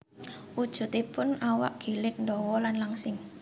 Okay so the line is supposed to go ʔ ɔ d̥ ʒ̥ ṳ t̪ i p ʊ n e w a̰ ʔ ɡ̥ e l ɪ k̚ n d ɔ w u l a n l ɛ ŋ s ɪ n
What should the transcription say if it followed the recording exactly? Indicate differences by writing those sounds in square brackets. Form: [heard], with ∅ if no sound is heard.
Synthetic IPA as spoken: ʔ [u] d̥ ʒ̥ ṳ t̪ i p ʊ n [a] w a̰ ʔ ɡ̥ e l ɪ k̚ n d ɔ w [ɔ] l a n l [a] ŋ s ɪ [ŋ]